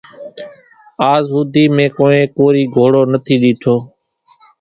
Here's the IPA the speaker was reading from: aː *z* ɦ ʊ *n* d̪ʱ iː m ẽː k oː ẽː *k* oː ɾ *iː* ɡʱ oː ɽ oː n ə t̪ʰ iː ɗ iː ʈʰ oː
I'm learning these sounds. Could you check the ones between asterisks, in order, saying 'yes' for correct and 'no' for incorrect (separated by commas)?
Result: yes, no, yes, yes